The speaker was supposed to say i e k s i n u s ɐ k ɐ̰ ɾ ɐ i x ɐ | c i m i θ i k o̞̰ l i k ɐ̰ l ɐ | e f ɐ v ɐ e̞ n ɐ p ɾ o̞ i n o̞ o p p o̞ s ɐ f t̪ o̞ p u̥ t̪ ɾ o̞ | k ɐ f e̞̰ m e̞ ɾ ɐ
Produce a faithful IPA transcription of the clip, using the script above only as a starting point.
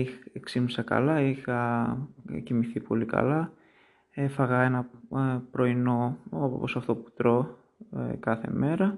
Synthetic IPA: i e k s i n u s ɐ k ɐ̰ l ɐ i x ɐ | c i m i θ i p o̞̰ l i k ɐ̰ l ɐ | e f ɐ ɣ ɐ e̞ n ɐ p ɾ o̞ i n o̞ o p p o̞ s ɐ f t̪ o̞ p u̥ t̪ ɾ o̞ | k ɐ θ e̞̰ m e̞ ɾ ɐ